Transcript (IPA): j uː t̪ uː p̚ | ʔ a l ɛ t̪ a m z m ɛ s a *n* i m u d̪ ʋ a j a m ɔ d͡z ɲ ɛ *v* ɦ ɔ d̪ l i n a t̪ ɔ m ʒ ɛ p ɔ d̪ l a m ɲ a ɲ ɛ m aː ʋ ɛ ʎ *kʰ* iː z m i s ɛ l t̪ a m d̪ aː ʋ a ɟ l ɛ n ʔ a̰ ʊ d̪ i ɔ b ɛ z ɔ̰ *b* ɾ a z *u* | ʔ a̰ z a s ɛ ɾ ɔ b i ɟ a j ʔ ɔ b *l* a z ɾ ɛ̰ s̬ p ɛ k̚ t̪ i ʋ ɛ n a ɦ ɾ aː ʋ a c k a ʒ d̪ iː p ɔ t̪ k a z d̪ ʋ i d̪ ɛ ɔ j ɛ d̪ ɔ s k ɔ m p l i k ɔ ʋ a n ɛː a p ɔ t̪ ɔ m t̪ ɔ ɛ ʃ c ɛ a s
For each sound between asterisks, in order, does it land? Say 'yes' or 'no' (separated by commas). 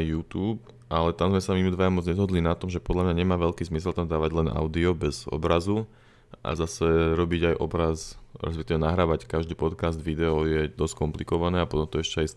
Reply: no, no, no, yes, yes, no